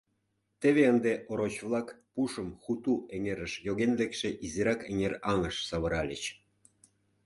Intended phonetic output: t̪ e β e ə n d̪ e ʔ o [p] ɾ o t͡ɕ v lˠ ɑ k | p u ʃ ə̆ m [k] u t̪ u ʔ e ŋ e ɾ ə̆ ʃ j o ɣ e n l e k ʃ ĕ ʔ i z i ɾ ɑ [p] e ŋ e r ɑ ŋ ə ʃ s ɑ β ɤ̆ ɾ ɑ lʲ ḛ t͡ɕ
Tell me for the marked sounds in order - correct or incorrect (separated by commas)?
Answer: incorrect, incorrect, incorrect